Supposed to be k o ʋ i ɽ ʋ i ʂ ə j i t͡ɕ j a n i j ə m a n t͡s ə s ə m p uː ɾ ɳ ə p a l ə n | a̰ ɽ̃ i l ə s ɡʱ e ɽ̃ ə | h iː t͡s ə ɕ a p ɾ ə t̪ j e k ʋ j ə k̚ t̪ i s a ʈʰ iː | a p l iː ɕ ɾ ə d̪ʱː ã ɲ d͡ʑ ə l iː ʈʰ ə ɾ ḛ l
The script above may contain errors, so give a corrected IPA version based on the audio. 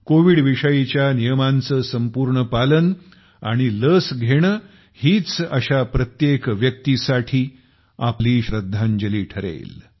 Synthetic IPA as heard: k o ʋ i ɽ ʋ i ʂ ə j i t͡ɕ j a n i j ə m a n t͡s ə s ə m p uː ɾ ɳ ə p a l ə n | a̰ ɽ̃ i l ə s ɡʱ e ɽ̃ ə | h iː t͡s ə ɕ a p ɾ ə t̪ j e k ʋ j ə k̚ t̪ i s a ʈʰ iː | a p l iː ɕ ɾ ə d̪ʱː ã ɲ d͡ʑ ə l iː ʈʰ ə ɾ ḛ l